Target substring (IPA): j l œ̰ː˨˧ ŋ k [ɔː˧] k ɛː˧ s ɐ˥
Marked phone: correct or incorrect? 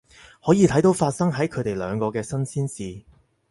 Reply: correct